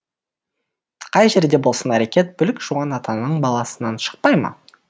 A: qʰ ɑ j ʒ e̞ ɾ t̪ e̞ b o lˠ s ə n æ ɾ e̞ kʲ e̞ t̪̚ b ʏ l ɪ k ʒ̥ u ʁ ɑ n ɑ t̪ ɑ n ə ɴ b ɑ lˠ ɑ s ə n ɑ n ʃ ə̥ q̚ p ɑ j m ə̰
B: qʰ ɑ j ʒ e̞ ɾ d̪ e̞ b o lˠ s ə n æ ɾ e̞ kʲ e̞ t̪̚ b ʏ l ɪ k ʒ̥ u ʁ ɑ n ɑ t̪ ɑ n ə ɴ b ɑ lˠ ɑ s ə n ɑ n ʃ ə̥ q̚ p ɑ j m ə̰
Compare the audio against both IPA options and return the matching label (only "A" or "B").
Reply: B